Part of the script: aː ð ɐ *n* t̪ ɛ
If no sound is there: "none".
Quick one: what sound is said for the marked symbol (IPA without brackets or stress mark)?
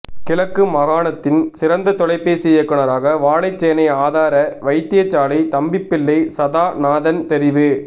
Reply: n